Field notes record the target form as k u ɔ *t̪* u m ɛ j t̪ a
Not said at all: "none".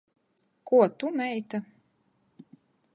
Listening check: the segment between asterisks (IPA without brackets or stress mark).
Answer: t̪